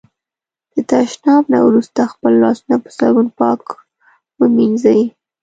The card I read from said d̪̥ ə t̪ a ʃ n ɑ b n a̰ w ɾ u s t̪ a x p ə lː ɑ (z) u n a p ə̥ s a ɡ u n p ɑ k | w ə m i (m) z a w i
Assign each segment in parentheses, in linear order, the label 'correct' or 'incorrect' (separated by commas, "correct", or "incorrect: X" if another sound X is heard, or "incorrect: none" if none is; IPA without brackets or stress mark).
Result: incorrect: s, incorrect: n